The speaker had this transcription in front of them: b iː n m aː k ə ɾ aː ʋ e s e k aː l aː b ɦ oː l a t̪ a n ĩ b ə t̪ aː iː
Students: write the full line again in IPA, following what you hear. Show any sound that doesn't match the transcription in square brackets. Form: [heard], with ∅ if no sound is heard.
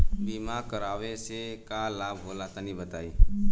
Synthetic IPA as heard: b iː [∅] m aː k ə ɾ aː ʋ e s e k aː l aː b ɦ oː l a t̪ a n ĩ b ə t̪ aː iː